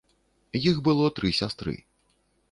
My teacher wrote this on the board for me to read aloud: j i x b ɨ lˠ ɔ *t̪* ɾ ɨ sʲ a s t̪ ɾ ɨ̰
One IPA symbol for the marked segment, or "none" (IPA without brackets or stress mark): t̪